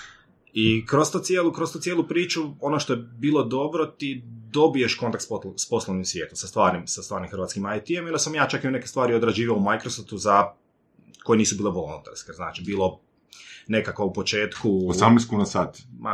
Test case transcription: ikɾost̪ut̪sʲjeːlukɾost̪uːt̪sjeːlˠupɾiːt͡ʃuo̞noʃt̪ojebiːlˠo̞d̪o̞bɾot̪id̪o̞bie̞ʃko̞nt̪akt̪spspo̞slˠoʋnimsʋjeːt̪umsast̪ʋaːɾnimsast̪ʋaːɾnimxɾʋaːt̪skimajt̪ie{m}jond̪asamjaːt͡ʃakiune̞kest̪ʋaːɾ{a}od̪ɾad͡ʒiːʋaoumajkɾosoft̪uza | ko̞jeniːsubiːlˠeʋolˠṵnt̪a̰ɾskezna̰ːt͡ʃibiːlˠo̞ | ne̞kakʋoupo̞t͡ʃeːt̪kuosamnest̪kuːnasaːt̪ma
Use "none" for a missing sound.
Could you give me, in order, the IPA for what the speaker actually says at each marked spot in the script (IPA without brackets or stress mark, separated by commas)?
m, i